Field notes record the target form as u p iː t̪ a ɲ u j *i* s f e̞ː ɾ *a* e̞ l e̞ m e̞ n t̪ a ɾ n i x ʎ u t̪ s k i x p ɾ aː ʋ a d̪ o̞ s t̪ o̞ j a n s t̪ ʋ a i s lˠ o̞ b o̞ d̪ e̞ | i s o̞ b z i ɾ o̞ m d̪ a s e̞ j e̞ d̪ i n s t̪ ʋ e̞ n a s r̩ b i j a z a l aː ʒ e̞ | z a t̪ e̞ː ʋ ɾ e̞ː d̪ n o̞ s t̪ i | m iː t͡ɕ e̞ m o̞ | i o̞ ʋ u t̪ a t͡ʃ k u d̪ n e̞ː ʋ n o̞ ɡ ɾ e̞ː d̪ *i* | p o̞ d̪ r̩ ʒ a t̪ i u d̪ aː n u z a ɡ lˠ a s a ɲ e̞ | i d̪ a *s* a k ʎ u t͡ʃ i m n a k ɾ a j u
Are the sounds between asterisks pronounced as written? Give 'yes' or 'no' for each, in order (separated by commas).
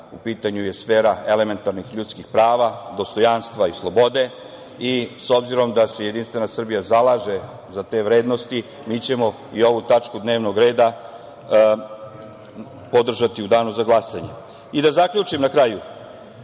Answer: no, yes, no, no